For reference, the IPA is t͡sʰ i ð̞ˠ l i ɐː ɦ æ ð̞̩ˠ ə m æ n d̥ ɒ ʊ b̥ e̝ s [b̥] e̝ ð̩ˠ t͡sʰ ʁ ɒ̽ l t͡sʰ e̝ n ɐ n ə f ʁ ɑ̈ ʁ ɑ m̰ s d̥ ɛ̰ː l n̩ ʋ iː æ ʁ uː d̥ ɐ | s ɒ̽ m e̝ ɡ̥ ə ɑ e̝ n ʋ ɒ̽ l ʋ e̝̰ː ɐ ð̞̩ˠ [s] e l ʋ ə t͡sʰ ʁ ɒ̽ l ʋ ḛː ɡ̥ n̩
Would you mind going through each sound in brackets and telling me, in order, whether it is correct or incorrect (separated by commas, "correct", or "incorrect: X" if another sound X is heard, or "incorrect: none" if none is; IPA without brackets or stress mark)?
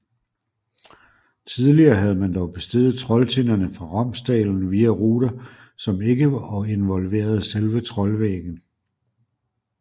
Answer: incorrect: d̥, correct